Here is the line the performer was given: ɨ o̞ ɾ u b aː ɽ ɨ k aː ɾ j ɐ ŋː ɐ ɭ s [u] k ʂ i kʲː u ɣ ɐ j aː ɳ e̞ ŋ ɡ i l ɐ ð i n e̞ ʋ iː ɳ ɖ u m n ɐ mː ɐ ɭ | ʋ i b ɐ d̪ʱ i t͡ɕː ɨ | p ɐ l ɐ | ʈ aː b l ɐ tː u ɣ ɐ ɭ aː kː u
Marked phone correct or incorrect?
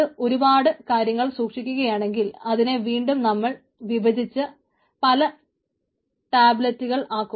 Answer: incorrect